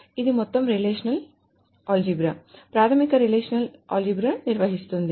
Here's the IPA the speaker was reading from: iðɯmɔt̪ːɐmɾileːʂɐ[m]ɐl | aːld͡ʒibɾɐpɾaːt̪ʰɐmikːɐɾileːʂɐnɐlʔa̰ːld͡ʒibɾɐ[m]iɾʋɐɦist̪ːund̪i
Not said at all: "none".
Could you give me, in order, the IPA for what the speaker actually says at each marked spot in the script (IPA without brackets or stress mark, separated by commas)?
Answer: n, n